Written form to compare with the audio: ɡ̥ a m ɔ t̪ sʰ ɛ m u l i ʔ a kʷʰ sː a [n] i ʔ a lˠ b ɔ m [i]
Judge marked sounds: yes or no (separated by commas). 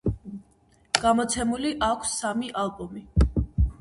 no, yes